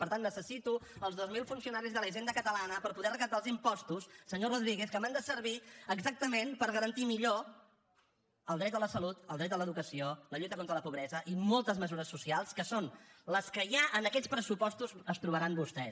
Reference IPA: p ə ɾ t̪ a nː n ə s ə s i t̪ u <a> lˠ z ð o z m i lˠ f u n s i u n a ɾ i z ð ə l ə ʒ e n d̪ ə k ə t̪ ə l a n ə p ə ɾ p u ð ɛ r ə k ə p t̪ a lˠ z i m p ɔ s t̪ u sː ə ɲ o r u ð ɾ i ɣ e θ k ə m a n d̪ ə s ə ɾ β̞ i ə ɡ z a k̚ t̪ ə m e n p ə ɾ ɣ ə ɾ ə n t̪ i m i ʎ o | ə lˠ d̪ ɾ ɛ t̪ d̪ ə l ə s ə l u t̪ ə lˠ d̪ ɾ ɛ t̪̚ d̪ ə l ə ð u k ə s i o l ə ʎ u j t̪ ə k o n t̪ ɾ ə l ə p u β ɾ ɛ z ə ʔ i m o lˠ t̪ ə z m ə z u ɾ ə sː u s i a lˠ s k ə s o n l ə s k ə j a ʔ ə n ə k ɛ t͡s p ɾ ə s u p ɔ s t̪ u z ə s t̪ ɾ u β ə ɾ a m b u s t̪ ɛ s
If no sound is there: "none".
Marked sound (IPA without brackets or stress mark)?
ə